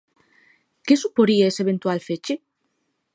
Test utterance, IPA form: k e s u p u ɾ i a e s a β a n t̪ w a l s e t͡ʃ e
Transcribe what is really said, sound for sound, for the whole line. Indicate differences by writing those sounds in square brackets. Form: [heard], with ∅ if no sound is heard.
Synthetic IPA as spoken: k e s u p [o] ɾ i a e s [e] β [e] n t̪ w a l [f] e t͡ʃ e